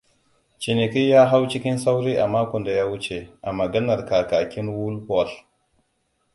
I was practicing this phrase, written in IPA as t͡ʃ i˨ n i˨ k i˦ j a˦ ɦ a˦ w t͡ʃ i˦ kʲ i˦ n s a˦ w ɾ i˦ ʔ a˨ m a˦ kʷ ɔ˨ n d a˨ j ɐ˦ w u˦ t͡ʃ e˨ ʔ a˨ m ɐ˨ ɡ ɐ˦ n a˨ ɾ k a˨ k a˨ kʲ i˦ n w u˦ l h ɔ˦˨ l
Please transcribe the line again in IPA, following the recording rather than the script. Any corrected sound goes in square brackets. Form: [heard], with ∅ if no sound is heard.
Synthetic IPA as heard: t͡ʃ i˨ n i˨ k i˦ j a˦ ɦ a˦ w t͡ʃ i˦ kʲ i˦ n s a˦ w ɾ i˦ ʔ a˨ m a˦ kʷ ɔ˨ n d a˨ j [a˦] w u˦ t͡ʃ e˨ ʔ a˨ m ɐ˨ ɡ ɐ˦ n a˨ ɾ k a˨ k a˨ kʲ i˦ n w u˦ l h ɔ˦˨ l